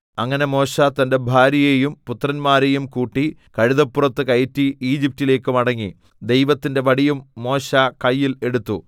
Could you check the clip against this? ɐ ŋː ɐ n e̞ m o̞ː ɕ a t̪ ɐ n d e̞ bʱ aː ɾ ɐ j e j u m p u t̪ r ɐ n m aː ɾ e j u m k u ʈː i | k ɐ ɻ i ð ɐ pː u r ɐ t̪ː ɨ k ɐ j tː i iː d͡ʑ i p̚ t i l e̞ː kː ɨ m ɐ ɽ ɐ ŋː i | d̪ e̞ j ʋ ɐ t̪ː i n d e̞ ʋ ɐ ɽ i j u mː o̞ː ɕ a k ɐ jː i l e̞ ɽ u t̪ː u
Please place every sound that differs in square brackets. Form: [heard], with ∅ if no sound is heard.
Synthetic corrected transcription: ɐ ŋː ɐ n e̞ m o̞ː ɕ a t̪ ɐ n d e̞ bʱ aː ɾ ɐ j e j u m p u t̪ r ɐ n m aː ɾ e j u m k [uː] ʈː i | k ɐ ɻ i ð ɐ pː u r ɐ t̪ː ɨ k ɐ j tː i iː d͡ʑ i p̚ t i l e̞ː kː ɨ m ɐ ɽ ɐ ŋː i | d̪ e̞ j ʋ ɐ t̪ː i n d e̞ ʋ ɐ ɽ i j u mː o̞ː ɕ a k ɐ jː i l e̞ ɽ u t̪ː u

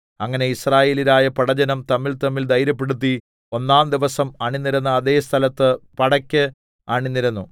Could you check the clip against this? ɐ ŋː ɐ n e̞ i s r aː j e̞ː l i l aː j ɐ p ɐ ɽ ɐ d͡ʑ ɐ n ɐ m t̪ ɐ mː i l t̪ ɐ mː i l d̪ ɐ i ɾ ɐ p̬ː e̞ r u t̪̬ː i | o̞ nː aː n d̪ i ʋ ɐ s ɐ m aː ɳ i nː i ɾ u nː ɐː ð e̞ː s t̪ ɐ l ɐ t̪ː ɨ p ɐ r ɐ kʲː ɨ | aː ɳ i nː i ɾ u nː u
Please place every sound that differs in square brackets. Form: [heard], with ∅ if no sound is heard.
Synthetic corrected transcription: ɐ ŋː ɐ n e̞ i s r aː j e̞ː l i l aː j ɐ p ɐ ɽ ɐ d͡ʑ ɐ n ɐ m t̪ ɐ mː i l t̪ ɐ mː i l d̪ ɐ [j] ɾ ɐ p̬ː e̞ [ɽ] u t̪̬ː i | o̞ nː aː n d̪ i ʋ ɐ s ɐ m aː ɳ i nː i ɾ u nː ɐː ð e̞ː s [t̪ʰ] ɐ l ɐ t̪ː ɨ p ɐ [ɽ] ɐ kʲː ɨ | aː ɳ i nː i ɾ u nː u

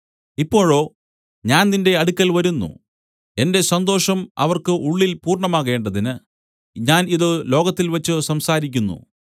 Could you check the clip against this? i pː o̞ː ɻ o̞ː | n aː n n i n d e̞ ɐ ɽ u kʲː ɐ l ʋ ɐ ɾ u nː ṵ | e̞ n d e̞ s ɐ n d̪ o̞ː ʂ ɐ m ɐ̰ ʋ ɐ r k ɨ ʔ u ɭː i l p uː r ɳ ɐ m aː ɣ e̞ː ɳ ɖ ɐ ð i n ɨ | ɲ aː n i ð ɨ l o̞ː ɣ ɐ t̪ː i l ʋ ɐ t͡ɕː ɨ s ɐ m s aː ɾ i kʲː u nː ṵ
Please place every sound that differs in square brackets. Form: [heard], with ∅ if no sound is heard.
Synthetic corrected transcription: i pː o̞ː ɻ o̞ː | [ɲ] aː n n i n d e̞ ɐ ɽ u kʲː ɐ l ʋ ɐ ɾ u nː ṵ | e̞ n d e̞ s ɐ n d̪ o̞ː ʂ ɐ m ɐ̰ ʋ ɐ r k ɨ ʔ u ɭː i l p uː r ɳ ɐ m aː ɣ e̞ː ɳ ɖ ɐ ð i n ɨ | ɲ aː n i ð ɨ l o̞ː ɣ ɐ t̪ː i l ʋ ɐ t͡ɕː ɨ s ɐ m s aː ɾ i kʲː u nː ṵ

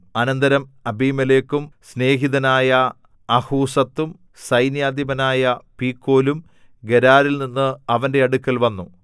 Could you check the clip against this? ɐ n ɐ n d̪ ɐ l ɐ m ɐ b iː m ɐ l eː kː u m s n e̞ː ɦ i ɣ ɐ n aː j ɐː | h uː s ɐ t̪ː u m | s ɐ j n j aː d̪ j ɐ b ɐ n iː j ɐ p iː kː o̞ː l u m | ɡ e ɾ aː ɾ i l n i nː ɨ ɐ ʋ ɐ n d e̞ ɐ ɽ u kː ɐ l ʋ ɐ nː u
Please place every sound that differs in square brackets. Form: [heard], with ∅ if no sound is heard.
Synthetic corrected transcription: ɐ n ɐ n d̪ ɐ [ɾ] ɐ m ɐ b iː m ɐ l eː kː u m s n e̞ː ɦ i [ð] ɐ n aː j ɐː | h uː s ɐ t̪ː u m | s ɐ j n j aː d̪ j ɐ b ɐ n [aː] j ɐ p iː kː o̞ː l u m | ɡ e ɾ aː ɾ i l n i nː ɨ ɐ ʋ ɐ n d e̞ ɐ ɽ u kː ɐ l ʋ ɐ nː u

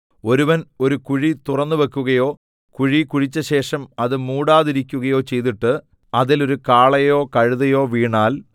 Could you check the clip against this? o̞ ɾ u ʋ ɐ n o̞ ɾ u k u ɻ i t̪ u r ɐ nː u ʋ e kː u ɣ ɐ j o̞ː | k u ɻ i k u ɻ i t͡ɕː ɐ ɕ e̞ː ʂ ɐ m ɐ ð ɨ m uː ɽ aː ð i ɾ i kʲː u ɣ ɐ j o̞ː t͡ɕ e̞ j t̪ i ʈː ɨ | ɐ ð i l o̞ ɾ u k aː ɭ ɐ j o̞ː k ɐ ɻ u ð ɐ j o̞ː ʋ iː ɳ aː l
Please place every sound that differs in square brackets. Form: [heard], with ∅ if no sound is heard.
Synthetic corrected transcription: o̞ ɾ u ʋ ɐ n o̞ ɾ u k u ɻ i t̪ u r ɐ nː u ʋ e kː u ɣ ɐ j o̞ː | k u ɻ i k u ɻ i t͡ɕː ɐ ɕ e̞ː ʂ ɐ m ɐ ð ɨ m uː ɽ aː ð i ɾ i kʲː u ɣ ɐ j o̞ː t͡ɕ e̞ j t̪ i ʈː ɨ | ɐ ð i l o̞ ɾ u k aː ɭ ɐ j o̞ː k ɐ ɻ u ð ɐ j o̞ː ʋ iː ɳ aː l

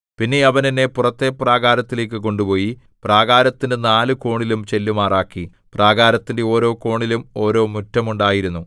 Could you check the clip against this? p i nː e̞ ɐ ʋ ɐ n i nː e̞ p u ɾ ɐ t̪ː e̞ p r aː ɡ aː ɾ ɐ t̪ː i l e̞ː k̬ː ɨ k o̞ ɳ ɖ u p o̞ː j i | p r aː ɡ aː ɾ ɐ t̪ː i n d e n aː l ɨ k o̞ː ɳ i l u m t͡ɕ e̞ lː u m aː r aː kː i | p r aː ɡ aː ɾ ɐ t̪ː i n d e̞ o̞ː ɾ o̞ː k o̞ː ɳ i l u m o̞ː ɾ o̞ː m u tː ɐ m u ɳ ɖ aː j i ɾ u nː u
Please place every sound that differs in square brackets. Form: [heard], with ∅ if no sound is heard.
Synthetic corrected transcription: p i nː e̞ ɐ ʋ ɐ n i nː e̞ p u [r] ɐ t̪ː e̞ p r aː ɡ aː ɾ ɐ t̪ː i l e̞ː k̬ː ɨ k o̞ ɳ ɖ u p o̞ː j i | p r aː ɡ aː ɾ ɐ t̪ː i n d e n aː l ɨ k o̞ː ɳ i l u m t͡ɕ e̞ lː u m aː r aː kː i | p r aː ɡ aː ɾ ɐ t̪ː i n d e̞ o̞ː ɾ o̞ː k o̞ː ɳ i l u m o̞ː ɾ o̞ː m u tː ɐ m u ɳ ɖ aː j i ɾ u nː u

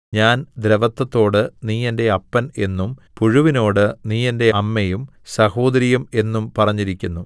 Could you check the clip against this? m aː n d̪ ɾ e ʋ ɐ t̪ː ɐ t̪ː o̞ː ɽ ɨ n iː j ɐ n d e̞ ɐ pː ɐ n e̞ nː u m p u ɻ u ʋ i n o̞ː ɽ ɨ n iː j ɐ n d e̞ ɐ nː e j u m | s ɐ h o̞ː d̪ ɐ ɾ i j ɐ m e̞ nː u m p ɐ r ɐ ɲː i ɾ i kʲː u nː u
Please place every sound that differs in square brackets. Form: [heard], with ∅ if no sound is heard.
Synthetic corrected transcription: [ɲ] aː n d̪ ɾ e ʋ ɐ t̪ː ɐ t̪ː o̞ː ɽ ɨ n iː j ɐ n d e̞ ɐ pː ɐ n e̞ nː u m p u ɻ u ʋ i n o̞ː ɽ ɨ n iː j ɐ n d e̞ ɐ [mː] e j u m | s ɐ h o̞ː d̪ ɐ ɾ i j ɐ m e̞ nː u m p ɐ r ɐ ɲː i ɾ i kʲː u nː u

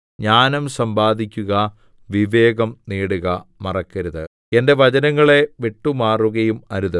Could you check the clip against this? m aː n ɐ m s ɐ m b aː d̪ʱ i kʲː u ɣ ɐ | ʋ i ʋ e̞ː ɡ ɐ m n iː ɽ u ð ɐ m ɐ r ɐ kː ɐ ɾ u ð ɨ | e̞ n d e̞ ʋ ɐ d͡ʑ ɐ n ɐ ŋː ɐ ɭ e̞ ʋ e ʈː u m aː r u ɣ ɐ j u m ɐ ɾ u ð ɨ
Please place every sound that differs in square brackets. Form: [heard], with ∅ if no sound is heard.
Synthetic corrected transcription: [ɲ] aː n ɐ m s ɐ m b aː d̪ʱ i kʲː u ɣ ɐ | ʋ i ʋ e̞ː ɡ ɐ m n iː ɽ u [ɣ] ɐ m ɐ r ɐ kː ɐ ɾ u ð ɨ | e̞ n d e̞ ʋ ɐ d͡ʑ ɐ n ɐ ŋː ɐ ɭ e̞ ʋ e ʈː u m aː r u ɣ ɐ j u m ɐ ɾ u ð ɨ

